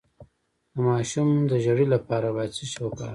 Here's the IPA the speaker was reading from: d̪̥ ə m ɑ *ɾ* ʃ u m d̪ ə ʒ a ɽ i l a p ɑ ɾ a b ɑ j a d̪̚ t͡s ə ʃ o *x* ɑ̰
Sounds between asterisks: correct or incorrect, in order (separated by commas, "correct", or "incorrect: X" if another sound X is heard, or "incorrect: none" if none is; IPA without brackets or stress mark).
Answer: incorrect: none, incorrect: k